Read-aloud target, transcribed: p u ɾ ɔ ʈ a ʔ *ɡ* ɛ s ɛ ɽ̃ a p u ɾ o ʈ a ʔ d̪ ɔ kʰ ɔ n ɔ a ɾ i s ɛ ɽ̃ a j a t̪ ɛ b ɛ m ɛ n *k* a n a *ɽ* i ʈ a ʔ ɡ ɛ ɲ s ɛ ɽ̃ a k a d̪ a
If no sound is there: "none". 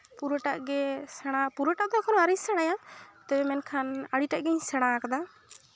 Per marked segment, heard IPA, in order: ɡ, kʰ, ɽ

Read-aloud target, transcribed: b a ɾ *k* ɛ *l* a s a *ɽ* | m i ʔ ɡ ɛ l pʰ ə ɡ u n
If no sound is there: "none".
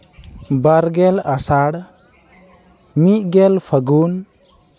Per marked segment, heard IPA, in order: ɡ, l, ɽ

